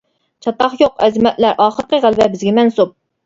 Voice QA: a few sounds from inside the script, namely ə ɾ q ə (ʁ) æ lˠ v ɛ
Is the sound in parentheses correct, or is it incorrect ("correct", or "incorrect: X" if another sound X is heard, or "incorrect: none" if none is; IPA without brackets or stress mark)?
correct